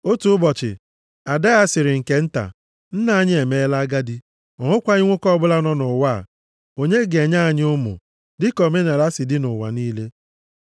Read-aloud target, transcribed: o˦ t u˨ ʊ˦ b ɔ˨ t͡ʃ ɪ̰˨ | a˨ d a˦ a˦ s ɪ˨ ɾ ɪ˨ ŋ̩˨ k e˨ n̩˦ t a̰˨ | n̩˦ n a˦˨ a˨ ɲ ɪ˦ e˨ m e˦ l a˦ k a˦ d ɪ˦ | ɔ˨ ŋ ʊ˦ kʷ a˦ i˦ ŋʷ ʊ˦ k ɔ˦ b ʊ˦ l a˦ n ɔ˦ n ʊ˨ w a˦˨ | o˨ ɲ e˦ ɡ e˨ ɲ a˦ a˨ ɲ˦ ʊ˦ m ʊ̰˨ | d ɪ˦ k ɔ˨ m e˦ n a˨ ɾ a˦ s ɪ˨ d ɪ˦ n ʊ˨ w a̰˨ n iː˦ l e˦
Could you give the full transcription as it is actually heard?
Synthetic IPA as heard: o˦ t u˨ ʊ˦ b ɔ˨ t͡ʃ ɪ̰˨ | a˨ d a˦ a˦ s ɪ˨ ɾ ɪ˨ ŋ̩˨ k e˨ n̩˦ t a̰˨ | n̩˦ n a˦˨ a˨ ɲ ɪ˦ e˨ m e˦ l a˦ ɡ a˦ d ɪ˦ | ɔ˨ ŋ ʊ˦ kʷ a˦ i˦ ŋʷ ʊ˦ k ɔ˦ b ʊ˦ l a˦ n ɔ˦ n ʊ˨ w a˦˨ | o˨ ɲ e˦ ɡ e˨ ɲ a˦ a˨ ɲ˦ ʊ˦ m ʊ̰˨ | d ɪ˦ k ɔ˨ m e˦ n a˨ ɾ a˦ s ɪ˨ d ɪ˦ n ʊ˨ w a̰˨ n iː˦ l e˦